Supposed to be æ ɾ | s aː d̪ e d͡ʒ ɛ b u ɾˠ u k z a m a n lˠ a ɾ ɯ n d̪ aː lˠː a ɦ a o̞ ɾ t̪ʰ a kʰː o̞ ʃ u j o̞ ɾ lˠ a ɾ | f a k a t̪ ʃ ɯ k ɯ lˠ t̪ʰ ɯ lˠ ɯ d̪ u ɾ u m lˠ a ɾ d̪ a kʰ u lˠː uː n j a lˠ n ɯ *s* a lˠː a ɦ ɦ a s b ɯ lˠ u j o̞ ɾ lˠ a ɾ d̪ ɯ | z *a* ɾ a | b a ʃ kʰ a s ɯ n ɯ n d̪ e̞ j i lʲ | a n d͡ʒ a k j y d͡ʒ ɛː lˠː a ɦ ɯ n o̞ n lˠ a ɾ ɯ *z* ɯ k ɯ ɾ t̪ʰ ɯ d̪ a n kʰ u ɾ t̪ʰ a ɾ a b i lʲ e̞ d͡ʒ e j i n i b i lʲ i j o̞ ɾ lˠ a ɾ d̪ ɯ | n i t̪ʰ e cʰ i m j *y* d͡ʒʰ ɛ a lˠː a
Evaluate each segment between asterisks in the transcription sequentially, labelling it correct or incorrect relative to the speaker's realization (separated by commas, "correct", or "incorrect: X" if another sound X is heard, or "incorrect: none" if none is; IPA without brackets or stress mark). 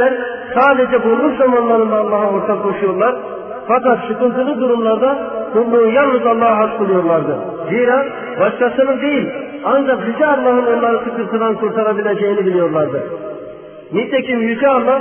incorrect: z, incorrect: i, incorrect: s, correct